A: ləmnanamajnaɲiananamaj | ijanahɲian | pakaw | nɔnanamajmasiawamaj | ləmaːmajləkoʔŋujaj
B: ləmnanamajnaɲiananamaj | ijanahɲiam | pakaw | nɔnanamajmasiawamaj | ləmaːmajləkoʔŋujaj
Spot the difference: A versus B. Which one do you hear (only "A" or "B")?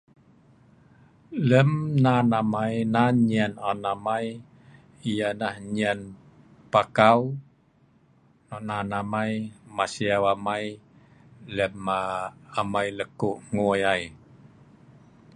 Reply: A